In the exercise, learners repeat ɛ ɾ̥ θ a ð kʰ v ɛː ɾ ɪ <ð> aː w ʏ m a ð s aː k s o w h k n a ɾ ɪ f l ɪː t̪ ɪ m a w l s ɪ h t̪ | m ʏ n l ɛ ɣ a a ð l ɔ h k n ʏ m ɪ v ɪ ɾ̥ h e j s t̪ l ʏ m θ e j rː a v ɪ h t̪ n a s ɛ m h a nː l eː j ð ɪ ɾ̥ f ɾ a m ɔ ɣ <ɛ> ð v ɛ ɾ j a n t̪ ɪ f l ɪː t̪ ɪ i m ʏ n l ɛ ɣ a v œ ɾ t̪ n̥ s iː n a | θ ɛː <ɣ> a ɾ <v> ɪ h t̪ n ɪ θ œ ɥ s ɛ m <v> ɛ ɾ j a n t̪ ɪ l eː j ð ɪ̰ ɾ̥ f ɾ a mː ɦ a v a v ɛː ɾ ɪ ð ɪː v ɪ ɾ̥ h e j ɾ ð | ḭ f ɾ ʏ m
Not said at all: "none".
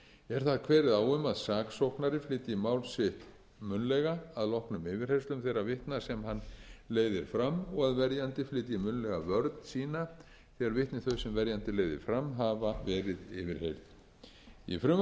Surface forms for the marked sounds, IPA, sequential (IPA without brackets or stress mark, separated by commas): ð, a, ɣ, v, v